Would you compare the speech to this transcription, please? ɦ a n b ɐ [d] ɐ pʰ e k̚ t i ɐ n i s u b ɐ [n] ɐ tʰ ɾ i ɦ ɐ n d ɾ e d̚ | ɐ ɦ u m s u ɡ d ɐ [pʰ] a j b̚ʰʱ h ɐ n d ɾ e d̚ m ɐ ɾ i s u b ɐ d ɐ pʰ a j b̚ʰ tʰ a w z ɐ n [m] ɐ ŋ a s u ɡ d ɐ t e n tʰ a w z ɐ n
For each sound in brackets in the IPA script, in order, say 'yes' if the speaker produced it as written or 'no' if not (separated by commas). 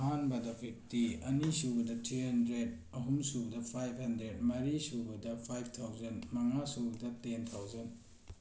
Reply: yes, no, yes, yes